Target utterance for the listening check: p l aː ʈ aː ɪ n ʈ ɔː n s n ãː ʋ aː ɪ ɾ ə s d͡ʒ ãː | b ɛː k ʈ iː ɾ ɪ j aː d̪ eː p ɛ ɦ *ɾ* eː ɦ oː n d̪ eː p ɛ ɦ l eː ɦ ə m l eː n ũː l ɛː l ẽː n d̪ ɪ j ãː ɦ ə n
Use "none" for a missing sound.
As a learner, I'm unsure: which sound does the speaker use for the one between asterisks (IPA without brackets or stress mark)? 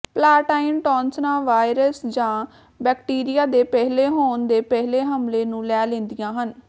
l